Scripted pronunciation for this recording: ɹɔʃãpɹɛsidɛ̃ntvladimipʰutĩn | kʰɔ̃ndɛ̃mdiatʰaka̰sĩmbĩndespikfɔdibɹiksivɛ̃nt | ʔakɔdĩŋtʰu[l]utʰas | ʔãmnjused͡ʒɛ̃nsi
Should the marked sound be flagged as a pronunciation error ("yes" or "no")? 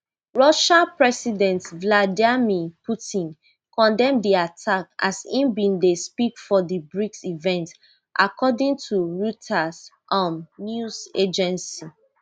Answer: yes